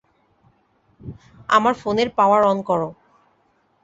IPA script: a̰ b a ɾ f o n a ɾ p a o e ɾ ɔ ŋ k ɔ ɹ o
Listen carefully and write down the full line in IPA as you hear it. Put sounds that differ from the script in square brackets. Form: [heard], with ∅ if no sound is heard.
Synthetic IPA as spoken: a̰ [m] a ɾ f o n [e] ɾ p a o [a] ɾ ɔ [n] k ɔ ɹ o